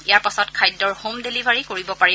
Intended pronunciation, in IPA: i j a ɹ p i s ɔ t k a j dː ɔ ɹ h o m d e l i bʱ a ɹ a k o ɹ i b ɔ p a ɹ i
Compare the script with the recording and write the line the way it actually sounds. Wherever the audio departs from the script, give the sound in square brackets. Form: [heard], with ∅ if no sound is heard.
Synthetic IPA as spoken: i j a ɹ p [a] s ɔ t [kʰ] a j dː ɔ ɹ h o m d e l i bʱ a ɹ [i] k o ɹ i b ɔ p a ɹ i

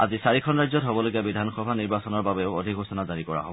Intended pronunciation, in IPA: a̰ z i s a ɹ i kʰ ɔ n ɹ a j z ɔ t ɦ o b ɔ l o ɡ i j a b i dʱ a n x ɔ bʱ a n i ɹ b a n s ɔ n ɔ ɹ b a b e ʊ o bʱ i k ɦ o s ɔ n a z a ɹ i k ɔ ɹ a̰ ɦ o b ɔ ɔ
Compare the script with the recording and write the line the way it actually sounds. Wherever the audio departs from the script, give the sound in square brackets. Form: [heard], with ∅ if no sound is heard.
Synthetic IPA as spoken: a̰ z i s a ɹ i kʰ ɔ n ɹ a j z ɔ t ɦ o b ɔ l o ɡ i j a b i dʱ a n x ɔ bʱ a n i ɹ b a [∅] s ɔ n ɔ ɹ b a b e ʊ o [dʱ] i k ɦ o s ɔ n a z a ɹ i k ɔ ɹ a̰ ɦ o b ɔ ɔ

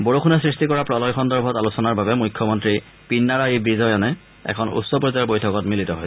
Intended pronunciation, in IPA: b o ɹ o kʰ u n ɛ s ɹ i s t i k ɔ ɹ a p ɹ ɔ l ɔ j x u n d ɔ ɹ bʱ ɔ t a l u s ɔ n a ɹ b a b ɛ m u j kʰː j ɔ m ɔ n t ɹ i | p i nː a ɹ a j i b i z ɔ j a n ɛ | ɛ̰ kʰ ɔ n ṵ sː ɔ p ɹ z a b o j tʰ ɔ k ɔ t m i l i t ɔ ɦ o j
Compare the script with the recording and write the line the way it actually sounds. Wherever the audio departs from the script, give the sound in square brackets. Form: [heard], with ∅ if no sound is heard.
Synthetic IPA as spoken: b o ɹ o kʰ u n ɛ s ɹ i s t i k ɔ ɹ a p ɹ ɔ l ɔ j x [ɔ] n d ɔ ɹ bʱ ɔ t a l u s ɔ n a ɹ b a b ɛ m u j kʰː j ɔ m ɔ n t ɹ i | p i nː a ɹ a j i b i z ɔ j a n ɛ | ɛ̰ kʰ ɔ n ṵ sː ɔ p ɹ z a b o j tʰ ɔ k ɔ t m i l i t ɔ ɦ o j

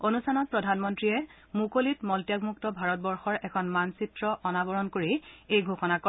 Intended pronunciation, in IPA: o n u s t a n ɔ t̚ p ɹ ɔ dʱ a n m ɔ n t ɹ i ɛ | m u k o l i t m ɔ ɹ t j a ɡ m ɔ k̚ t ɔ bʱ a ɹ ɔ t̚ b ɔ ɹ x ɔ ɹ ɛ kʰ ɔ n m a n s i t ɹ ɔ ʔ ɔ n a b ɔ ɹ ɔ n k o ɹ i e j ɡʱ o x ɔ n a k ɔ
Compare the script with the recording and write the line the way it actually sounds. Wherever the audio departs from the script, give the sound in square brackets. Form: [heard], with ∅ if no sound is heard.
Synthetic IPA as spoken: o n u s [tʰ] a n ɔ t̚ p ɹ ɔ dʱ a n m ɔ n t ɹ i ɛ | m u k o l i t m ɔ [l] t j a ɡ m [u] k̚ t ɔ bʱ a ɹ ɔ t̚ b ɔ ɹ x ɔ ɹ ɛ kʰ ɔ n m a n s i t ɹ ɔ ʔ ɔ n a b ɔ ɹ ɔ n k o ɹ i e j ɡʱ o x ɔ n a k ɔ

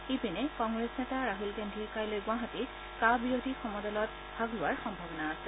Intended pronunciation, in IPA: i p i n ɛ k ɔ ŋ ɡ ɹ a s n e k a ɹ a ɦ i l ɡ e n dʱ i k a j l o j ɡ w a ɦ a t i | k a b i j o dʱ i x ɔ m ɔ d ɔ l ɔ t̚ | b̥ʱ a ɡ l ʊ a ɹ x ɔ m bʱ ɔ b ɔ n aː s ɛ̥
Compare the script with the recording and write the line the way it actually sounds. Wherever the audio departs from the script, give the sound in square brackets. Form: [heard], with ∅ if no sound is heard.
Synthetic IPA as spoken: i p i n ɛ k ɔ ŋ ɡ ɹ [e] s n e [t] a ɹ a ɦ i l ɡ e n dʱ i k a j l o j ɡ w a ɦ a t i | k a b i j o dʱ i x ɔ m ɔ d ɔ l ɔ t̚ | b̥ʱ a ɡ l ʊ a ɹ x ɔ m bʱ ɔ b ɔ n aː s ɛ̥

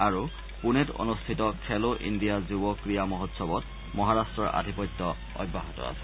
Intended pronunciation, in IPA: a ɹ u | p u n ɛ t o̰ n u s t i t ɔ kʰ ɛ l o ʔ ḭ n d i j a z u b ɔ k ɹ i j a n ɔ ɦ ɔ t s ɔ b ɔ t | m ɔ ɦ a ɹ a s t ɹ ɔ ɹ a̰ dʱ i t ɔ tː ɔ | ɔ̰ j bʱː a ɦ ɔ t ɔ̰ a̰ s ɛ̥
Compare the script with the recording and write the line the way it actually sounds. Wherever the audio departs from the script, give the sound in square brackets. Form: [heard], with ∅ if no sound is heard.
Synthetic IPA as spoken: a ɹ u | p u n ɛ t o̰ n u s [tʰ] i t ɔ kʰ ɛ l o ʔ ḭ n d i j a z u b ɔ k ɹ i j a [m] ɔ ɦ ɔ t s ɔ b ɔ t | m ɔ ɦ a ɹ a s t ɹ ɔ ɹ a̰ dʱ i [p] ɔ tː ɔ | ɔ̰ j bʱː a ɦ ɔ t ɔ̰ a̰ s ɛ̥

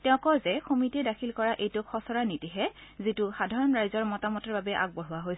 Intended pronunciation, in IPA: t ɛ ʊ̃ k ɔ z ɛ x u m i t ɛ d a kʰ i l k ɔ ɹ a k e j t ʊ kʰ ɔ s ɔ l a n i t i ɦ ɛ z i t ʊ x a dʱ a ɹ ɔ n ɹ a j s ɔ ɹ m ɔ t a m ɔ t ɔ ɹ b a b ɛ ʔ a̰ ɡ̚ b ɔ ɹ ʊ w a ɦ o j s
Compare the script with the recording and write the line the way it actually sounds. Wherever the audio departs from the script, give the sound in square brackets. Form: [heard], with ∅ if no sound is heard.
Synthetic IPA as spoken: t ɛ ʊ̃ k ɔ z ɛ x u m i t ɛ d a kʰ i l k ɔ ɹ a [ʔ] e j t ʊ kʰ ɔ s ɔ [ɹ] a n i t i ɦ ɛ z i t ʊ x a dʱ a ɹ ɔ n ɹ a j [z] ɔ ɹ m ɔ t a m ɔ t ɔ ɹ b a b ɛ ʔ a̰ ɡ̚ b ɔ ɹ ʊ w a ɦ o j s

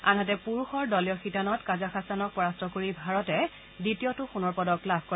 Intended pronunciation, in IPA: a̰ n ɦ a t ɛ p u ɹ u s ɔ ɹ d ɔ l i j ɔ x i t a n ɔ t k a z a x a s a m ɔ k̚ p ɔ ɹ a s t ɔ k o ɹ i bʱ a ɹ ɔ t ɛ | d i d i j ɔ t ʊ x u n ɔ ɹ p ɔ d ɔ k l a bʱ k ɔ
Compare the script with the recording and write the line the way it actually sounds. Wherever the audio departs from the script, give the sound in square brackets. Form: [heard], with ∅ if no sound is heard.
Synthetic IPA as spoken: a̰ n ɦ a t ɛ p u ɹ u [x] ɔ ɹ d ɔ l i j ɔ x i t a n ɔ t k a z a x a s a [n] ɔ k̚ p ɔ ɹ a s t ɔ k o ɹ i bʱ a ɹ ɔ t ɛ | d i [t] i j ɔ t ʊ x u n ɔ ɹ p ɔ d ɔ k l a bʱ k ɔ

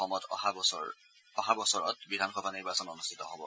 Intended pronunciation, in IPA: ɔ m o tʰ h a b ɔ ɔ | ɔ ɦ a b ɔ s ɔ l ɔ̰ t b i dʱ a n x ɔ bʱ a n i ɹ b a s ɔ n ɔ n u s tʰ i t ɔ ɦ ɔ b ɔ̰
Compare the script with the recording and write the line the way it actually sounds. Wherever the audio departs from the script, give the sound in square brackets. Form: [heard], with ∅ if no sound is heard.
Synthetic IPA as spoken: ɔ m [ɔ] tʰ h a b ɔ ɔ | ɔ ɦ a b ɔ s ɔ [ɹ] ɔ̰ t b i dʱ a n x ɔ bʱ a n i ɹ b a s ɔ n ɔ n u s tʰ i t ɔ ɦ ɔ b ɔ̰

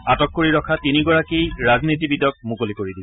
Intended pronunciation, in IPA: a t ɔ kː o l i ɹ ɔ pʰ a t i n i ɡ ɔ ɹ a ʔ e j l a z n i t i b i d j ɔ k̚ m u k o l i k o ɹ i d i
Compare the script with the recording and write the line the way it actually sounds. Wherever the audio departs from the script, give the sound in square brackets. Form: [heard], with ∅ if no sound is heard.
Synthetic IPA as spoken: a t ɔ kː o [ɹ] i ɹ ɔ [kʰ] a t i n i ɡ ɔ ɹ a [k] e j [ɹ] a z n i t i b i d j ɔ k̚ m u k o l i k o ɹ i d i

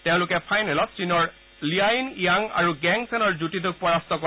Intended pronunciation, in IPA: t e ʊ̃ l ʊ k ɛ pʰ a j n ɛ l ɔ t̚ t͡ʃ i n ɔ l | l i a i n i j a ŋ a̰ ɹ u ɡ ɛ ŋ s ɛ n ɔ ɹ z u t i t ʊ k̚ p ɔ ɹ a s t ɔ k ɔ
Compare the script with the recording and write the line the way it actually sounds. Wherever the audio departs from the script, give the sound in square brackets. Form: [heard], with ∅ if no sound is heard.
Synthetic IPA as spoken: t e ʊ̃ l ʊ k ɛ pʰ a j n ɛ l ɔ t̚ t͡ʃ i n ɔ [ɹ] | l i a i n i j a ŋ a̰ ɹ u ɡ ɛ ŋ s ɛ n ɔ ɹ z u t i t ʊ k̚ p ɔ ɹ a s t ɔ k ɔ

